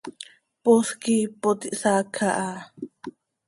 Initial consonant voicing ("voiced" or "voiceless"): voiceless